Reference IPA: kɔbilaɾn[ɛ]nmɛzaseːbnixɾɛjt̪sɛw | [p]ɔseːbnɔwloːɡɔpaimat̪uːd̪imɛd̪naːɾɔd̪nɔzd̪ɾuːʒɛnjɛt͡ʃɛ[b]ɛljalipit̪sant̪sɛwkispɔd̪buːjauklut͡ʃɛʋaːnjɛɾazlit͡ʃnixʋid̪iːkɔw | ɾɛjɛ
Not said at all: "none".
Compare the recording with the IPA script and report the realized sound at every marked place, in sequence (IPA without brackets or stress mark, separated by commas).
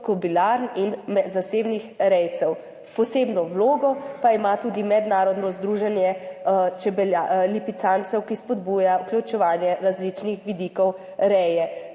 i, p, b